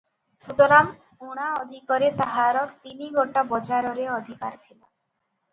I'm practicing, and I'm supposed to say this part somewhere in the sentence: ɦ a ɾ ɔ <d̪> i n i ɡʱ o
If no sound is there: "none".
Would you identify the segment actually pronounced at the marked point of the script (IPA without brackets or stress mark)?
t̪